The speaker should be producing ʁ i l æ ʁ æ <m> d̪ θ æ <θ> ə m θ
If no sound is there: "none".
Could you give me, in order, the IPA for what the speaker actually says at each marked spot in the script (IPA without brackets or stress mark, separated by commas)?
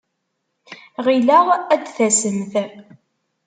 none, s